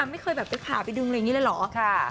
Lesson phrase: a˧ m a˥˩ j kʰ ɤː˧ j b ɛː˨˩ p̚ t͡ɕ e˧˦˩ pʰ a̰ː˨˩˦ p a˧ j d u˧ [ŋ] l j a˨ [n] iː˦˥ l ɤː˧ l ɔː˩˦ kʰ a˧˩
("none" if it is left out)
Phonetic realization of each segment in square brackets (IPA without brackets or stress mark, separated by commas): ŋ, ŋ